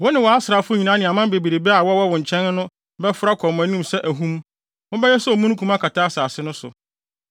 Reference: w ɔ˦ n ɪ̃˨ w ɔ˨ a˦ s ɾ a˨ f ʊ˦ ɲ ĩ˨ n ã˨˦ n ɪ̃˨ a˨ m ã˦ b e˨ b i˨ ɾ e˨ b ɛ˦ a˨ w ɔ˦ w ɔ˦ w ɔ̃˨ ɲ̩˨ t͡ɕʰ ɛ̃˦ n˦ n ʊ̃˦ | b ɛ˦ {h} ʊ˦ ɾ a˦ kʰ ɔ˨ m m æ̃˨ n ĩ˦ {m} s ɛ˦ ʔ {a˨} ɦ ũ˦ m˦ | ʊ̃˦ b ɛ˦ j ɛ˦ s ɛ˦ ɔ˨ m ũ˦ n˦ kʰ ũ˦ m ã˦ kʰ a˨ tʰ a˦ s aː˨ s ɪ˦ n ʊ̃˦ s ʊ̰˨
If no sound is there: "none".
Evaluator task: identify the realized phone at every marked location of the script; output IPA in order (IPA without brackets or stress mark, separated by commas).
f, m, æ˨